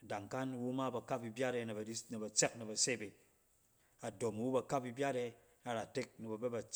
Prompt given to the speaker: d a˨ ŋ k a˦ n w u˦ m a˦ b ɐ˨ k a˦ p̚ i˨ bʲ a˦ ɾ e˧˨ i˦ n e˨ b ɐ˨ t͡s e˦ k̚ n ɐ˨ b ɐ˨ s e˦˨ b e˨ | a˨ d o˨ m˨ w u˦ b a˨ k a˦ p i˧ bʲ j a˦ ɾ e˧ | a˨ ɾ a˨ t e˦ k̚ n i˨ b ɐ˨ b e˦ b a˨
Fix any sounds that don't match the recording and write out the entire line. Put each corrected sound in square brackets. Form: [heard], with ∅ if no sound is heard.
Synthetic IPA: d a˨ ŋ k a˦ n w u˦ m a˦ b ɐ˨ k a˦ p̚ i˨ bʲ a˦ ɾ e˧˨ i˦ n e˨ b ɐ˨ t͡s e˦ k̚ n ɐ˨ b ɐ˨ s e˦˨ b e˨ | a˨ d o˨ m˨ w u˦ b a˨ k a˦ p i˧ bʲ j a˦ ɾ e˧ | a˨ ɾ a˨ t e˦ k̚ n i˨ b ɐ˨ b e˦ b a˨

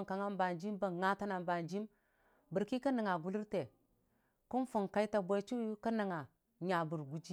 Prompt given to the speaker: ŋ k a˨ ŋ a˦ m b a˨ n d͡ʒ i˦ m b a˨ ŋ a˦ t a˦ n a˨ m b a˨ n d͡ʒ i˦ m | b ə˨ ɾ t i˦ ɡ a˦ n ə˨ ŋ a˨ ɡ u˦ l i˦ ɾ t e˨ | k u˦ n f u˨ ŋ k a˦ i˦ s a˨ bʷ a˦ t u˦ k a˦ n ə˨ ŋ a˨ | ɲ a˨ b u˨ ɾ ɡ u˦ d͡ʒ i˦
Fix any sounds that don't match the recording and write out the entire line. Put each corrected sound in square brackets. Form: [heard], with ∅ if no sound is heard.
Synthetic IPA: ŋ k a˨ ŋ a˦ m b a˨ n d͡ʒ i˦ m b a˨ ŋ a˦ t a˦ n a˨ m b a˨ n d͡ʒ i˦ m | b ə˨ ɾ [k] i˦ [k] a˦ n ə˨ ŋ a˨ ɡ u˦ l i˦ ɾ t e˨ | k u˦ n f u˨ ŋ k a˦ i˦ [t] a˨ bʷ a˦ [t͡ʃ] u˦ k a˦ n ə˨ ŋ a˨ | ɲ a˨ b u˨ ɾ ɡ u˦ d͡ʒ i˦

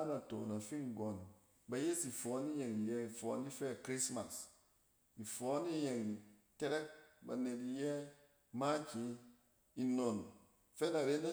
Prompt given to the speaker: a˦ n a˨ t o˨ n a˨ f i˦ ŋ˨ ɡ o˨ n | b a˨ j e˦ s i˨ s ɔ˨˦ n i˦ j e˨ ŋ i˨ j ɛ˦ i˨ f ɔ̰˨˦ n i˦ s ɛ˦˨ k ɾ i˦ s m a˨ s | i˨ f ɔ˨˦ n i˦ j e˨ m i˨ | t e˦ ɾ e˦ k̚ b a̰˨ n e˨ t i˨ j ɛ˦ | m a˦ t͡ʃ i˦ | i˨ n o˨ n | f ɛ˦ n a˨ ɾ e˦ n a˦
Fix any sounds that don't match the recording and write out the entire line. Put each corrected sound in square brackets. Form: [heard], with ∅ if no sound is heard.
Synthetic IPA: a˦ n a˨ t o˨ n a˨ f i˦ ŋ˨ ɡ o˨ n | b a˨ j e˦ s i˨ [f] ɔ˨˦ n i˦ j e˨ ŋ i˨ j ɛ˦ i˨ f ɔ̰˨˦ n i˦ [f] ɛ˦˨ k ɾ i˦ s m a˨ s | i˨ f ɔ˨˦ n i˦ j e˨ [ŋ] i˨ | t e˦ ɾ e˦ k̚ b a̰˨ n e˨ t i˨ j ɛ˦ | m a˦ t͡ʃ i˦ | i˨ n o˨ n | f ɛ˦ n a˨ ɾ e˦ n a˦

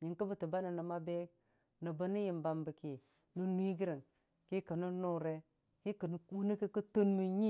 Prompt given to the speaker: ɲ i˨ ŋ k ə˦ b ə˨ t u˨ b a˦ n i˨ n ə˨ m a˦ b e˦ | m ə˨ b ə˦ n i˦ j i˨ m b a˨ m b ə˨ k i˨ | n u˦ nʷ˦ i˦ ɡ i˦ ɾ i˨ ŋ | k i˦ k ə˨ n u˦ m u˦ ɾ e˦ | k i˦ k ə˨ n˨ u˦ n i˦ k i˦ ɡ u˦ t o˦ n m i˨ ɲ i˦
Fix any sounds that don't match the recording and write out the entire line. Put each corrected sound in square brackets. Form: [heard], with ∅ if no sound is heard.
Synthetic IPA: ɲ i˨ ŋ k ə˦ b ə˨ t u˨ b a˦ n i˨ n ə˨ m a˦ b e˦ | [n] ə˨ b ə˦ n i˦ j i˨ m b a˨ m b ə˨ k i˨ | n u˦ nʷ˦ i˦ ɡ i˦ ɾ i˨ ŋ | k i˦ k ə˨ n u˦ [n] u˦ ɾ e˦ | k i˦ k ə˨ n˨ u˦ n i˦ k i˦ [k] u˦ t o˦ n m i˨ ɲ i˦

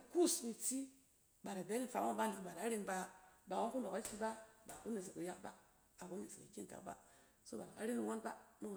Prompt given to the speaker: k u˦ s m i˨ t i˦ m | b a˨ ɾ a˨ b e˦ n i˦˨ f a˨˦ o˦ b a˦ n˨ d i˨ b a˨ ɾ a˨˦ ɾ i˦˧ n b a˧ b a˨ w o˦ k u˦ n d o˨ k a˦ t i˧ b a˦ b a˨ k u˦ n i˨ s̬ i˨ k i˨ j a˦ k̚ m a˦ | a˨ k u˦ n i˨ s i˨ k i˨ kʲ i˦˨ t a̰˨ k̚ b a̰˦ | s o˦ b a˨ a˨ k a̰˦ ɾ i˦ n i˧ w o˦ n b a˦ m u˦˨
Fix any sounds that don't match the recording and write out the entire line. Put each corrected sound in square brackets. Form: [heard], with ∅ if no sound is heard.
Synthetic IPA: k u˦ s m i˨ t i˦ [∅] | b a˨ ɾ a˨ b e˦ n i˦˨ f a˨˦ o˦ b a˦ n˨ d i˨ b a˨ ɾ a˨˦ ɾ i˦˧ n b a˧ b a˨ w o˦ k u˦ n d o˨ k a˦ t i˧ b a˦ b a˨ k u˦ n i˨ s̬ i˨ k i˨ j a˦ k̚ [b] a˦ | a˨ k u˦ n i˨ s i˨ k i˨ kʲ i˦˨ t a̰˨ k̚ b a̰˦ | s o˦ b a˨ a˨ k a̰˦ ɾ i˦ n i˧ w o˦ n b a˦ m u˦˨

